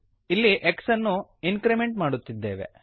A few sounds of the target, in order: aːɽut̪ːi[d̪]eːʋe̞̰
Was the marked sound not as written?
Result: yes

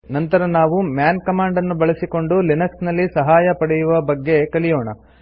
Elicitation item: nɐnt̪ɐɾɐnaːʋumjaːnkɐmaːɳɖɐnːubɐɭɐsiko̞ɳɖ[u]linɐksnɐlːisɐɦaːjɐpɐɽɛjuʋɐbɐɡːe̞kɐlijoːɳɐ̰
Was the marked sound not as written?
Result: no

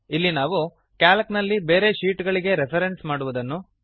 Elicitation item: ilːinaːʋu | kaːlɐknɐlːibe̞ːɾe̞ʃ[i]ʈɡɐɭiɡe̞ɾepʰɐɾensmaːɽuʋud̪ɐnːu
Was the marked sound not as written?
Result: yes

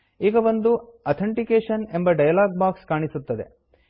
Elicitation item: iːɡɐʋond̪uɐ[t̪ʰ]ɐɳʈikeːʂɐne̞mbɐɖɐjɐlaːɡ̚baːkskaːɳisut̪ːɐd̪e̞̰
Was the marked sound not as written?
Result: no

